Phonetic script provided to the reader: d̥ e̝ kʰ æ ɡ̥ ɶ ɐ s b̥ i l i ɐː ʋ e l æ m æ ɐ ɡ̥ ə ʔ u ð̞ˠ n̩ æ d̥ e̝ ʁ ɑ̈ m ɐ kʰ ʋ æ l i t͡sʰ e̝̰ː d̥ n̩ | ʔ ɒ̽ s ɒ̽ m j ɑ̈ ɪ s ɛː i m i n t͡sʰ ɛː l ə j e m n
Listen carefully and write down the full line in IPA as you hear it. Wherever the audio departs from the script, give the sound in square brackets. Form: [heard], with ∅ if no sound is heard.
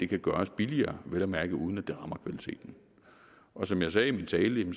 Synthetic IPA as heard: d̥ e̝ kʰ æ ɡ̥ ɶ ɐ s b̥ i l i ɐː ʋ e l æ m æ ɐ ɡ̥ ə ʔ u ð̞ˠ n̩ æ d̥ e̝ ʁ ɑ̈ m ɐ kʰ ʋ æ l i t͡sʰ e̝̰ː d̥ n̩ | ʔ ɒ̽ s ɒ̽ m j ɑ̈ ɪ s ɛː i m i n t͡sʰ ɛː l ə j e m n

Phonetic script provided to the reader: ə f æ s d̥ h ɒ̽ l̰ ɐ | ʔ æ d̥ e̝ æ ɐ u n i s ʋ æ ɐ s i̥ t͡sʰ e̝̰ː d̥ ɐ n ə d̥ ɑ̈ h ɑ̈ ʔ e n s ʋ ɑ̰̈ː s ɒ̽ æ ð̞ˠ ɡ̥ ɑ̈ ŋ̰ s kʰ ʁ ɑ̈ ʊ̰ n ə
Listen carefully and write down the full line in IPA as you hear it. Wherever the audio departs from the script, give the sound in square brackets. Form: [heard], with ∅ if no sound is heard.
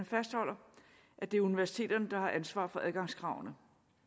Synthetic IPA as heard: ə f æ s d̥ h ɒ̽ l̰ ɐ | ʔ æ d̥ e̝ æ ɐ u n i [∅] ʋ æ ɐ s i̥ t͡sʰ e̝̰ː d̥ ɐ n ə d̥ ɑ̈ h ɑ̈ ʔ [æ] n s ʋ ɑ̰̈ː [f] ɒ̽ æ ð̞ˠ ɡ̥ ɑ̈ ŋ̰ s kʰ ʁ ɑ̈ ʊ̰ n ə

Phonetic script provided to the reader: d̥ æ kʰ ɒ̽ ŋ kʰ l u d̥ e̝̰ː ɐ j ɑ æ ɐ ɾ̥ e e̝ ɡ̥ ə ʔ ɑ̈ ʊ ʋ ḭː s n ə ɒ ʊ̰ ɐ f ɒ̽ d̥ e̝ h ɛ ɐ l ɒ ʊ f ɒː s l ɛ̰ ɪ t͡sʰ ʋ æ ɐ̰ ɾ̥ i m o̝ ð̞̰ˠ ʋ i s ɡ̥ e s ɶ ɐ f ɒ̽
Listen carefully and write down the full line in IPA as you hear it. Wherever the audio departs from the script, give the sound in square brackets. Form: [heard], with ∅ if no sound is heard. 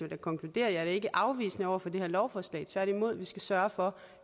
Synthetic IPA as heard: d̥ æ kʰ ɒ̽ ŋ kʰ l u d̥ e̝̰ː ɐ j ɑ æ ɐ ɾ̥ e e̝ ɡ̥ ə ʔ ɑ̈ ʊ ʋ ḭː s n ə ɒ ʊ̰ ɐ f ɒ̽ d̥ e̝ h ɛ ɐ l ɒ ʊ f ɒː s l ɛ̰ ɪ t͡sʰ ʋ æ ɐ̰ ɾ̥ i m o̝ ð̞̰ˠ ʋ i s ɡ̥ [æ] s ɶ ɐ f ɒ̽

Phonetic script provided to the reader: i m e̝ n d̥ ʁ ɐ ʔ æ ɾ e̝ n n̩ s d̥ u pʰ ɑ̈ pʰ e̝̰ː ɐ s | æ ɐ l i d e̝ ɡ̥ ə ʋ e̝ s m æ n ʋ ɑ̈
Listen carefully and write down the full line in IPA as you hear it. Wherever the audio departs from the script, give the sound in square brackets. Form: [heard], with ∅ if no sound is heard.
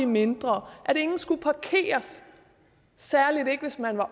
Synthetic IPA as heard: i m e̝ n d̥ ʁ ɐ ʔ æ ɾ e̝ [ŋ] n̩ s [ɡ̥] u pʰ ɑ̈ [kʰ] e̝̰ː ɐ s | æ ɐ l i d e̝ ɡ̥ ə ʋ e̝ s m æ n ʋ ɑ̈

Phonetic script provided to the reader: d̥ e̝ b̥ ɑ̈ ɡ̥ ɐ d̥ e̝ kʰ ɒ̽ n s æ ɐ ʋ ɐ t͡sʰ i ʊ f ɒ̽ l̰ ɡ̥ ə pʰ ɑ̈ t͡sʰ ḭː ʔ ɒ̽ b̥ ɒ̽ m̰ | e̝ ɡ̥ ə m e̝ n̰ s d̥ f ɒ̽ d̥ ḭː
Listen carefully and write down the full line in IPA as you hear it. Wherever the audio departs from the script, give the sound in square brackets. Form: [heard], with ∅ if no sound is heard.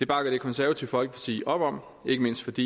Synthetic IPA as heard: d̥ e̝ b̥ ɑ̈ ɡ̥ ɐ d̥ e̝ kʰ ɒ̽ n s æ ɐ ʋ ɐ t͡sʰ i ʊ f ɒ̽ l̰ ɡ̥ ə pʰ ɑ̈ t͡sʰ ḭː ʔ ɒ̽ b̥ ɒ̽ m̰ | e̝ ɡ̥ ə m e̝ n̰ s d̥ f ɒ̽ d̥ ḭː

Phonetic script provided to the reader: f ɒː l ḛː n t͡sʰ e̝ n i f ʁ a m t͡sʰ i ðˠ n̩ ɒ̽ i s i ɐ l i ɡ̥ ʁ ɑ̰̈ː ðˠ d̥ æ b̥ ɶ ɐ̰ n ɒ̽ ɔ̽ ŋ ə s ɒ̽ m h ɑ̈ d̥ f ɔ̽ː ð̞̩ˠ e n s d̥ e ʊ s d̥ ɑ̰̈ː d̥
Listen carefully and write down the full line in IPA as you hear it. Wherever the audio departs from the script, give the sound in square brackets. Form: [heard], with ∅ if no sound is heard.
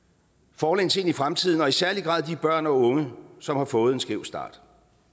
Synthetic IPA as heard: f ɒː l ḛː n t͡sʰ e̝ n i f ʁ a m t͡sʰ i ðˠ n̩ ɒ̽ i s [æ] ɐ l i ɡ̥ ʁ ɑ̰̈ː ðˠ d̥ [i] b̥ ɶ ɐ̰ n ɒ̽ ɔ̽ ŋ ə s ɒ̽ m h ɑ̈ [∅] f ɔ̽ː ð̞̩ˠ e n s [ɡ̥] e ʊ s d̥ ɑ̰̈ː d̥

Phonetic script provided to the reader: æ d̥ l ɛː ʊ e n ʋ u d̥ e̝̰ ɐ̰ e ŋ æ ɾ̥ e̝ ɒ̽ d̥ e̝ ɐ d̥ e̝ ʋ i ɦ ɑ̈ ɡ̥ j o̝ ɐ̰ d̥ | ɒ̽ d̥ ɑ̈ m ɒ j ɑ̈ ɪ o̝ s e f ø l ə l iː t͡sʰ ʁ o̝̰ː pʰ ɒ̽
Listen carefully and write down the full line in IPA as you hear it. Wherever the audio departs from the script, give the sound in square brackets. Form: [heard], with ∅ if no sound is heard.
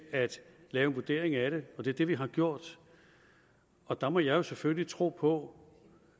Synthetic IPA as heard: æ d̥ l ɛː ʊ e n ʋ u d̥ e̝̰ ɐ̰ e ŋ æ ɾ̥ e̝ ɒ̽ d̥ e̝ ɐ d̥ e̝ ʋ i ɦ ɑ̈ ɡ̥ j o̝ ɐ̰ d̥ | ɒ̽ d̥ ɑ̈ m ɒ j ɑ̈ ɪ o̝ s e f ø l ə l [i] t͡sʰ ʁ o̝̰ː pʰ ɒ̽

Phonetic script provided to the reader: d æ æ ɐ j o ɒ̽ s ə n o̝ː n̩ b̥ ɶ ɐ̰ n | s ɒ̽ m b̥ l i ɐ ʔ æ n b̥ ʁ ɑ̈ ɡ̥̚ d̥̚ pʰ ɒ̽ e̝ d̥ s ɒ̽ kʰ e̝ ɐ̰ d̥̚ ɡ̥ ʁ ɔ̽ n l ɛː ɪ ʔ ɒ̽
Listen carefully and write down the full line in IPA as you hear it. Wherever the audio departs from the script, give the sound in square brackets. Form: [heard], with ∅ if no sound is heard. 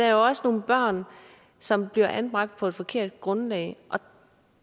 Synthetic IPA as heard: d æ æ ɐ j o ɒ̽ s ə n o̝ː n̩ b̥ ɶ ɐ̰ n | s ɒ̽ m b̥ l i ɐ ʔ æ n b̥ ʁ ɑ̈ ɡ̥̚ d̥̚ pʰ ɒ̽ e̝ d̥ [f] ɒ̽ kʰ e̝ ɐ̰ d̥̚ ɡ̥ ʁ ɔ̽ n l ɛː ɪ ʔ ɒ̽

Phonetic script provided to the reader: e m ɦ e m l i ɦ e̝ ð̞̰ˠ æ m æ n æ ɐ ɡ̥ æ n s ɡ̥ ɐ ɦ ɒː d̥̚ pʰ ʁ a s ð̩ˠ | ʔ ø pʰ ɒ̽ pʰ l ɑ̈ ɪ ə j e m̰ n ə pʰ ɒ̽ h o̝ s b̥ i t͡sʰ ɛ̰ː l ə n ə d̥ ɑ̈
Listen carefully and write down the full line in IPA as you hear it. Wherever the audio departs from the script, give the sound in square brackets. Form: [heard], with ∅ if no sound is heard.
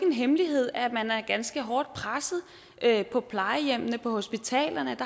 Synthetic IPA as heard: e [n] ɦ e m l i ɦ e̝ ð̞̰ˠ æ m æ n æ ɐ ɡ̥ æ n s ɡ̥ [ə] ɦ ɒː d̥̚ pʰ ʁ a s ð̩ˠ | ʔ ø pʰ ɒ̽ pʰ l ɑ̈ ɪ ə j e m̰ n ə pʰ ɒ̽ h o̝ s b̥ i t͡sʰ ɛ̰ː l [ɐ] n ə d̥ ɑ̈

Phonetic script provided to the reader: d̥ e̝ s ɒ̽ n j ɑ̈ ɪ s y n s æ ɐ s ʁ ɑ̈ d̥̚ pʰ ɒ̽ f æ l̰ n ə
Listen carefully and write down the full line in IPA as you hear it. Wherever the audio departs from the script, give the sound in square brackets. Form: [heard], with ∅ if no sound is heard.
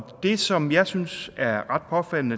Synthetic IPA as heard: d̥ e̝ s ɒ̽ [m] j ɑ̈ ɪ s y n s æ ɐ [∅] ʁ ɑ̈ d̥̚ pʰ ɒ̽ f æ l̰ n ə

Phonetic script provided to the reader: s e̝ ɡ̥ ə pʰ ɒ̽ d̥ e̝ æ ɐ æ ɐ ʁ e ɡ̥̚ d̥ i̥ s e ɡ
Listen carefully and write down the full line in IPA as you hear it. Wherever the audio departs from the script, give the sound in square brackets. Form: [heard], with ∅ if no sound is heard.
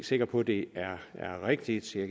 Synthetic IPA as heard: s e̝ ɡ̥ [ɐ] pʰ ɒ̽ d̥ e̝ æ ɐ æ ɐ ʁ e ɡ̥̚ d̥ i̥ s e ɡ

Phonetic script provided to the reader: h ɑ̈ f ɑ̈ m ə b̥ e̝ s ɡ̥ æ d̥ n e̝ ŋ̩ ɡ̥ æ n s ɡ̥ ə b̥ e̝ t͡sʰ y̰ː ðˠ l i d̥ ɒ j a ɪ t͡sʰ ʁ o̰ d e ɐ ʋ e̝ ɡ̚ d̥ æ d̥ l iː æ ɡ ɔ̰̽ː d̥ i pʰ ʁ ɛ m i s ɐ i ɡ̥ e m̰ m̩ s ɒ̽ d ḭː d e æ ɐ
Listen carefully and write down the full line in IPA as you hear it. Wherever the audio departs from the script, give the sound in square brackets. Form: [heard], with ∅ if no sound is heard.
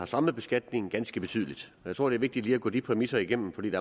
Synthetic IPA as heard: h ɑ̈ [s] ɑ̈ m ə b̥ e̝ s ɡ̥ æ d̥ n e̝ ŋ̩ ɡ̥ æ n s ɡ̥ ə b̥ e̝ t͡sʰ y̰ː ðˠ l i d̥ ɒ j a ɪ t͡sʰ ʁ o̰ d e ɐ ʋ e̝ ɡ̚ d̥ [i] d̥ l iː æ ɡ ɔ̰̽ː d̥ i pʰ ʁ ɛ m i s ɐ i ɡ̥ e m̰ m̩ [f] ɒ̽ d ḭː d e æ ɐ

